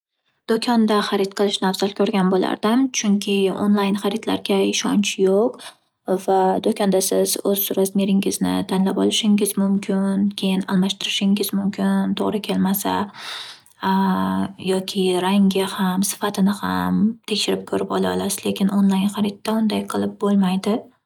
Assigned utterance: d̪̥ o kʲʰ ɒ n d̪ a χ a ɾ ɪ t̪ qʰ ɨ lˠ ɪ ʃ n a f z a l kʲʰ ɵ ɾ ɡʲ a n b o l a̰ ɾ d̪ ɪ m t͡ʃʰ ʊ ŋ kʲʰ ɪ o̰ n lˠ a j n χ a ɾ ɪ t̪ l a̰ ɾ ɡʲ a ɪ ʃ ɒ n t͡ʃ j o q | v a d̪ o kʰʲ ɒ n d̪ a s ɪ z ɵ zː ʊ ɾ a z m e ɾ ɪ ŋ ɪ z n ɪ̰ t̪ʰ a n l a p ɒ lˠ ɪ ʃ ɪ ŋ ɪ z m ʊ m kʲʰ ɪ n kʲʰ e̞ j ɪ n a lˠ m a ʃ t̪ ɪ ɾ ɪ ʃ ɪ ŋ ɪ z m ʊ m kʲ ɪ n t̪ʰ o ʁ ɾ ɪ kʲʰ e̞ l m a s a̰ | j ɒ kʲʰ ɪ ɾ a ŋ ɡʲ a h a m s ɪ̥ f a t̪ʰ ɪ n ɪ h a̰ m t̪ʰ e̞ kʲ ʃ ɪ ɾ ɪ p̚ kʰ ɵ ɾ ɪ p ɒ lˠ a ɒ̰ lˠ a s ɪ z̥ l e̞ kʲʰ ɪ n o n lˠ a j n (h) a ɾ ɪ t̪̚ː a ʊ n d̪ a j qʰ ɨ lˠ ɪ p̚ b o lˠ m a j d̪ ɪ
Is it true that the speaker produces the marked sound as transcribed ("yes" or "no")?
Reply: no